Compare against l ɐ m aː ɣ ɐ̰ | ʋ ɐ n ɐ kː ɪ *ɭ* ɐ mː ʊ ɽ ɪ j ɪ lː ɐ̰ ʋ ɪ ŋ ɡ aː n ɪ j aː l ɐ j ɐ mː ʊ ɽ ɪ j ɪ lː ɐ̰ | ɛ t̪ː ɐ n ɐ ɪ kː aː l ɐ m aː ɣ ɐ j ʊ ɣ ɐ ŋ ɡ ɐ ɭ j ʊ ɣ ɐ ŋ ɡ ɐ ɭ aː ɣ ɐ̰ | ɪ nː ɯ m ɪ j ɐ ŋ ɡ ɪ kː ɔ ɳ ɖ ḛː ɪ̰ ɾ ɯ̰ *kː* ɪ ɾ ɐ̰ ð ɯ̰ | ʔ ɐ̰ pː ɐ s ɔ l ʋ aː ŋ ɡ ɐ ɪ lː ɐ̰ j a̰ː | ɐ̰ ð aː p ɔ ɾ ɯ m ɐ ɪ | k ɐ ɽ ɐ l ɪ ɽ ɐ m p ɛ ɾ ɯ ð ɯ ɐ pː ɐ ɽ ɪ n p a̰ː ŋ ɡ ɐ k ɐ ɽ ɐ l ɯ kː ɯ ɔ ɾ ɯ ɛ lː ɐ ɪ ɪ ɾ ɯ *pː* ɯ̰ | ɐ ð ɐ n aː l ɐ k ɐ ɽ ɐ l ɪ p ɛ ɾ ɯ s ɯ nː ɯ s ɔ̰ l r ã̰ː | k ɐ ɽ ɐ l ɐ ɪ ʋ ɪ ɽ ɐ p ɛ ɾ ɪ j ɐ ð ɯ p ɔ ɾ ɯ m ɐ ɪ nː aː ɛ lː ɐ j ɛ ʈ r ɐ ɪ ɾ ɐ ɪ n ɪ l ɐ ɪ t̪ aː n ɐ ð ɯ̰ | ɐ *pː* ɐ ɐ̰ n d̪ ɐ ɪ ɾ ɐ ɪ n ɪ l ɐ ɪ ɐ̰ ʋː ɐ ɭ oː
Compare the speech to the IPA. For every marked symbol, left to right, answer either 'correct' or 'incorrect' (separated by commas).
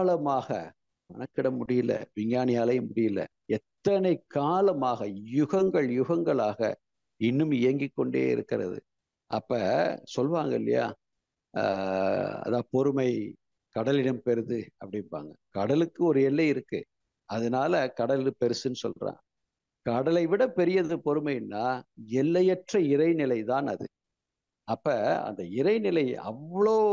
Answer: incorrect, correct, incorrect, correct